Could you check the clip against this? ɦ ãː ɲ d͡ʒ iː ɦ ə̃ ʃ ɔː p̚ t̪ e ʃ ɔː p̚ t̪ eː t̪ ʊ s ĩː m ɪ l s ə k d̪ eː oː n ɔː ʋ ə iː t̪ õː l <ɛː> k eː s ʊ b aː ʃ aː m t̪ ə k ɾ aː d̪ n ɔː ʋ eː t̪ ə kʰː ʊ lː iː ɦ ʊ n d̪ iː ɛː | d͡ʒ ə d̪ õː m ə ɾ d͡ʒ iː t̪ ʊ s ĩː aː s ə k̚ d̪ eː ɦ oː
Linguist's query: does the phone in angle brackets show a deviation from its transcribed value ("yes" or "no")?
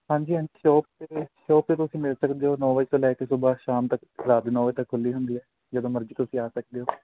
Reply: no